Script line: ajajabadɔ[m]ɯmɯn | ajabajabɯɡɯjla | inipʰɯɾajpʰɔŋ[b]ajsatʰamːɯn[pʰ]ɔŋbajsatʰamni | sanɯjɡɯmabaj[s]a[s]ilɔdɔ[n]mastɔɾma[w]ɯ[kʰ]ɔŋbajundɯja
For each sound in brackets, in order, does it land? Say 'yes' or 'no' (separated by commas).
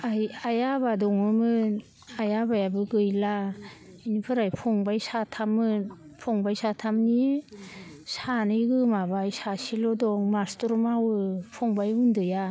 no, yes, yes, yes, yes, no, yes, no